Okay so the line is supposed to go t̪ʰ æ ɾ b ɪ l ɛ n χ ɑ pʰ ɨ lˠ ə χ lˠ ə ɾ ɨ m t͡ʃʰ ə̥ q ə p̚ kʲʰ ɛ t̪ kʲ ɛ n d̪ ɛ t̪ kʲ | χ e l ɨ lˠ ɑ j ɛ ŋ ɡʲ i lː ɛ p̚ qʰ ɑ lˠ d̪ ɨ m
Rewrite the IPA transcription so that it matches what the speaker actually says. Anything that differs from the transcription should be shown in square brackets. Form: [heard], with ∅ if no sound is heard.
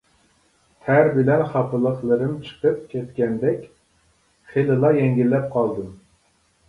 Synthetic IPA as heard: t̪ʰ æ ɾ b ɪ l ɛ n χ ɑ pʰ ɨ lˠ ə χ lˠ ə ɾ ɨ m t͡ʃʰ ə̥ q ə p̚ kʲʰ ɛ t̪ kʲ ɛ n d̪ ɛ [∅] kʲ | χ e l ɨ lˠ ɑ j ɛ ŋ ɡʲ i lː ɛ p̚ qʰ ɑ lˠ d̪ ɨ m